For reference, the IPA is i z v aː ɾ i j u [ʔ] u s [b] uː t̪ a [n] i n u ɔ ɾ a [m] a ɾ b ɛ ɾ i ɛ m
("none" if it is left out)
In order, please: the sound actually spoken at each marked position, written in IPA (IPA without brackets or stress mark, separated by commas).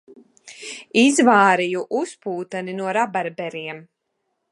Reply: ʔ, p, n, b